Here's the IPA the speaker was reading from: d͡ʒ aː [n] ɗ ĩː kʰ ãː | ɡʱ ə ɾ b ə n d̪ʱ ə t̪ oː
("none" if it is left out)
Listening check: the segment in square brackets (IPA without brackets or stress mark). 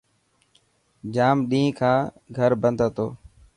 m